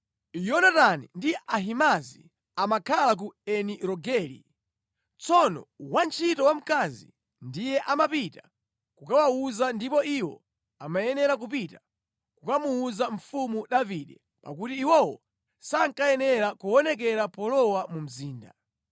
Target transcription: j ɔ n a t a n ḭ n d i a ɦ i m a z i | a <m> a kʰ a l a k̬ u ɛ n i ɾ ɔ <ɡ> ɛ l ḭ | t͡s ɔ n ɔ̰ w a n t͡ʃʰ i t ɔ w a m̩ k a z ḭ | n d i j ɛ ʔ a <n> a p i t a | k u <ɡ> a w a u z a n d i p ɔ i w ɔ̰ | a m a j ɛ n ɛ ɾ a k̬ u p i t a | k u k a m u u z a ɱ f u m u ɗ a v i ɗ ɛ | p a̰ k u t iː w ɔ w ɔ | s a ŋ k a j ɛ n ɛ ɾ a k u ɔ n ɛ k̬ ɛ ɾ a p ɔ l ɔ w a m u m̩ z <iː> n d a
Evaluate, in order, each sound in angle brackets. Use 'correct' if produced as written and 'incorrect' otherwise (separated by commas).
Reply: correct, correct, incorrect, incorrect, correct